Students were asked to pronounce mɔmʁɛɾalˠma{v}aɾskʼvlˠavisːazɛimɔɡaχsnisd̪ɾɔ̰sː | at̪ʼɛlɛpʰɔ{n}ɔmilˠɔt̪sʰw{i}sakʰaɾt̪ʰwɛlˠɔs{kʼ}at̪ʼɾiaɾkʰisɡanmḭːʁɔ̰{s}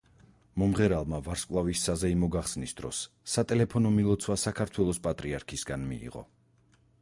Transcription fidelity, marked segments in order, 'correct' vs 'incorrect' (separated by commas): correct, correct, incorrect, incorrect, incorrect